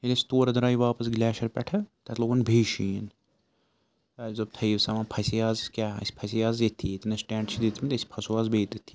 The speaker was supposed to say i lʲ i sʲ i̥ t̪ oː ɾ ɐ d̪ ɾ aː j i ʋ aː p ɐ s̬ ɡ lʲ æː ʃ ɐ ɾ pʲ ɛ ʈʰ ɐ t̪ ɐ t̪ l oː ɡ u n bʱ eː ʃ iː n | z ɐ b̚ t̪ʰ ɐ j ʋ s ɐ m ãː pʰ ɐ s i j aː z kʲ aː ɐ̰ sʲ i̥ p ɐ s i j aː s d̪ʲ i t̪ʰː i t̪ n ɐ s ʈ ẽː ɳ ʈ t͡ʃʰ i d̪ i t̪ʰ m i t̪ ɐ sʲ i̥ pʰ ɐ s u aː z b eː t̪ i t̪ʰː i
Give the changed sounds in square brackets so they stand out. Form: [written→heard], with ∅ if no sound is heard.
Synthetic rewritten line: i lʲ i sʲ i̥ t̪ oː ɾ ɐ d̪ ɾ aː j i ʋ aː p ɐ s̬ ɡ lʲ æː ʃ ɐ ɾ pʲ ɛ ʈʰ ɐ t̪ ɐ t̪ l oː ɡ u n bʱ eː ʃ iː n | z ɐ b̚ t̪ʰ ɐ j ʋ s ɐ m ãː pʰ ɐ s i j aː z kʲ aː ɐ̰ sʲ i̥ [p→pʰ] ɐ s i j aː [s→z] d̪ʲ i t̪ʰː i t̪ n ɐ s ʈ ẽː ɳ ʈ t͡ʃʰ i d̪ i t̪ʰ m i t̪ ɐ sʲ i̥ pʰ ɐ s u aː z b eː t̪ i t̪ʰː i